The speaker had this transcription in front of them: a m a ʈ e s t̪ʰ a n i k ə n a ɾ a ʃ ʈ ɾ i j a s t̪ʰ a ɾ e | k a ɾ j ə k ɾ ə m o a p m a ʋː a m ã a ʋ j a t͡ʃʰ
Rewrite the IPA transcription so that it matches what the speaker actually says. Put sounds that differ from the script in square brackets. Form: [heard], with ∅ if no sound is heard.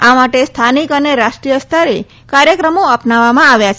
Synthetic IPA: a m a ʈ e s t̪ʰ a n i k ə n [e] ɾ a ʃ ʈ ɾ i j [ə] s t̪ʰ a ɾ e | k a ɾ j ə k ɾ ə m o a p [n] a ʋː a m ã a ʋ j a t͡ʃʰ